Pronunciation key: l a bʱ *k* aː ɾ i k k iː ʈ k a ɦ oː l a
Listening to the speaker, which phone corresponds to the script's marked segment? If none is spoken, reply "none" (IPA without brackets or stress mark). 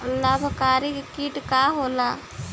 k